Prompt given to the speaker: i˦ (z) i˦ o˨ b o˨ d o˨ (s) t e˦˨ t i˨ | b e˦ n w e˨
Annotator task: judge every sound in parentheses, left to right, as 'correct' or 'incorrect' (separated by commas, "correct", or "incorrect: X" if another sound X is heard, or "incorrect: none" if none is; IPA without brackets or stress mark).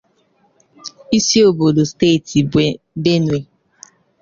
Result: incorrect: s, correct